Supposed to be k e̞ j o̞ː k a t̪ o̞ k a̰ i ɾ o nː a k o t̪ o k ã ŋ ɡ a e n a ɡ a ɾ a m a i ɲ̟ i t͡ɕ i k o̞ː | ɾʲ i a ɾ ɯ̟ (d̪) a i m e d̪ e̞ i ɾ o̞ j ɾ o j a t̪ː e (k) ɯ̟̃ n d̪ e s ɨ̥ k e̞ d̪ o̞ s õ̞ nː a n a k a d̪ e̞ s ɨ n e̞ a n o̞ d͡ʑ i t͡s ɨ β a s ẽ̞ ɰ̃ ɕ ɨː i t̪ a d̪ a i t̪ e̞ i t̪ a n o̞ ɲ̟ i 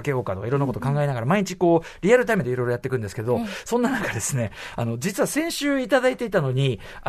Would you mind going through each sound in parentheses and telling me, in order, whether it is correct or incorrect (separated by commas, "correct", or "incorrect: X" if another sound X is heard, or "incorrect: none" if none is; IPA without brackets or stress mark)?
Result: incorrect: t̪, correct